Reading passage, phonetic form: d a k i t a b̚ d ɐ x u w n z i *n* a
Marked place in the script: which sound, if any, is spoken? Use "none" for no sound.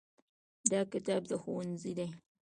d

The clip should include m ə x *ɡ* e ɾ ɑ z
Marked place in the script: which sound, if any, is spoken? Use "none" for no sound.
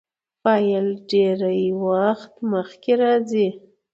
k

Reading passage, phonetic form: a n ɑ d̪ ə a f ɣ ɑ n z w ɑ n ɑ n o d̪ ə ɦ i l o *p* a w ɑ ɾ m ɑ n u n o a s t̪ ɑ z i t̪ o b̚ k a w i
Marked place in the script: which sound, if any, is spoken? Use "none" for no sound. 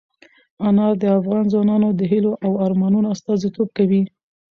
ʔ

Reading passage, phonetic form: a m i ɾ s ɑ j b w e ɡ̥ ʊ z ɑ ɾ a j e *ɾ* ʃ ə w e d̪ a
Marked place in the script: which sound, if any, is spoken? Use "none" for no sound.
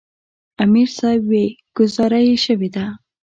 none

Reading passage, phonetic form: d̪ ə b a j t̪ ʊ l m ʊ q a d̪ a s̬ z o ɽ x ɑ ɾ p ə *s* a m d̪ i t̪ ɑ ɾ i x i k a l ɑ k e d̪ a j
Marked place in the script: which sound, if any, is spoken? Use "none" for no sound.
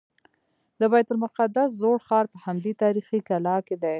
h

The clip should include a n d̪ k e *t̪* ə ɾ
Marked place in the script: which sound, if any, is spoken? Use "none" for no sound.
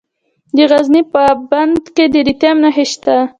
d̪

